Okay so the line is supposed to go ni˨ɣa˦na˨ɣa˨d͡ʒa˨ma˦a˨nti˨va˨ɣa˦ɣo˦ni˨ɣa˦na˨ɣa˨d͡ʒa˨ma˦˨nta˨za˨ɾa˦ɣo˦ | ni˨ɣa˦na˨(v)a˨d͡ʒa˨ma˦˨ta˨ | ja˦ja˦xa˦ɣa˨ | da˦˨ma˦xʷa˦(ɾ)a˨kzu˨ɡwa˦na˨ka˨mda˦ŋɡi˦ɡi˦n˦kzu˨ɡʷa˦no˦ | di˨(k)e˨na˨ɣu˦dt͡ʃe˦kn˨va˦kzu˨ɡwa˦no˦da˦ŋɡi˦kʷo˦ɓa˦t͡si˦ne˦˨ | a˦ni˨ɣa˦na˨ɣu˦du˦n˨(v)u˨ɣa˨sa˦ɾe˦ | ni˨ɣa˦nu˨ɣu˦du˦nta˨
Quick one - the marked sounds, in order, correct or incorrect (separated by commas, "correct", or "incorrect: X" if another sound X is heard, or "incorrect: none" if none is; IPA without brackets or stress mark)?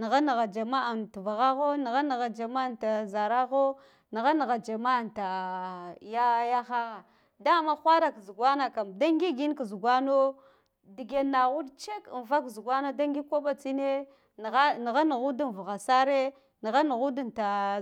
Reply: incorrect: ɣ, correct, incorrect: ɡ, correct